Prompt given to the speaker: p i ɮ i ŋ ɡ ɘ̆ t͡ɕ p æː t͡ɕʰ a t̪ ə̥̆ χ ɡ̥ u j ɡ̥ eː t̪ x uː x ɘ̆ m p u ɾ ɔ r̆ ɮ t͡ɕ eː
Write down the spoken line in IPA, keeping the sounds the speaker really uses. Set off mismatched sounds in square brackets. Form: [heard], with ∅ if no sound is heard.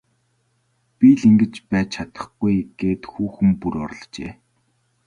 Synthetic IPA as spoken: p i ɮ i ŋ ɡ ɘ̆ t͡ɕ p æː t͡ɕʰ a t̪ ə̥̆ χ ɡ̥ u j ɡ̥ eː t̪ x uː x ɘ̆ m p u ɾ ɔ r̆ ɮ t͡ɕ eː